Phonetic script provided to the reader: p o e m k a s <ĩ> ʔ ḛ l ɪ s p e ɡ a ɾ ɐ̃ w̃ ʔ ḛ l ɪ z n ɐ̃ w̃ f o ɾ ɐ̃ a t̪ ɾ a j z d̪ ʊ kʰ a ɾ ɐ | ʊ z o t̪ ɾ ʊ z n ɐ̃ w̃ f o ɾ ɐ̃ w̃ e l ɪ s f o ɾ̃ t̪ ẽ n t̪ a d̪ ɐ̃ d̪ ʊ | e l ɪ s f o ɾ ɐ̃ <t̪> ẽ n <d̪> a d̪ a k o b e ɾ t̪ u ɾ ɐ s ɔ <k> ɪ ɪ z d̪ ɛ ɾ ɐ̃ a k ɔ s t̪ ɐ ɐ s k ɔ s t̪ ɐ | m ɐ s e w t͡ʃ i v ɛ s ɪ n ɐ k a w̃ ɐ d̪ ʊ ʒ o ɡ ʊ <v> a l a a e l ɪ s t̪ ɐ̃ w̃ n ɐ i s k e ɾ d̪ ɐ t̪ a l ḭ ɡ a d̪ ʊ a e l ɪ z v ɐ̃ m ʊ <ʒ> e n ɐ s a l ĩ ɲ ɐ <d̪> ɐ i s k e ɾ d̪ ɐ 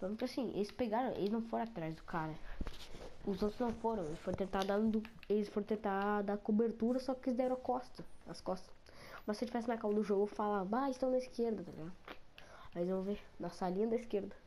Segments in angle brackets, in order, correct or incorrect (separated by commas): correct, correct, incorrect, correct, incorrect, incorrect, correct